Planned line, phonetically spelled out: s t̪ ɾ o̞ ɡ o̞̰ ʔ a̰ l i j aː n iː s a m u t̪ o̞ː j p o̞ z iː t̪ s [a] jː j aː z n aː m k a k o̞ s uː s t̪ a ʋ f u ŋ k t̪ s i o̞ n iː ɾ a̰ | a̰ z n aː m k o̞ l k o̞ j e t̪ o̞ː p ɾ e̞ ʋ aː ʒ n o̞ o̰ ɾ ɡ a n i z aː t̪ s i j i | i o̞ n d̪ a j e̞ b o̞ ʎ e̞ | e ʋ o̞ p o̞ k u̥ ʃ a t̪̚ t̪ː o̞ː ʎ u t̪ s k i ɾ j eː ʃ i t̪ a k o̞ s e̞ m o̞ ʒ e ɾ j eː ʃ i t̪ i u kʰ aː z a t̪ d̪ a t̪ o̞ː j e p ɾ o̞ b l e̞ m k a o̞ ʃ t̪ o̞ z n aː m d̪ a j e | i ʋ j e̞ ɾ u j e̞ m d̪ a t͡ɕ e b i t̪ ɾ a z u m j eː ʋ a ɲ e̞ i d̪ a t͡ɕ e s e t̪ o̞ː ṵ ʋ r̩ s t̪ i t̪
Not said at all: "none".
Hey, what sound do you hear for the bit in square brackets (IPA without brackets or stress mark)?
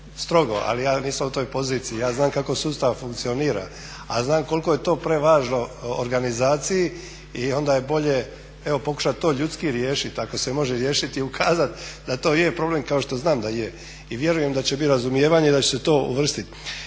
i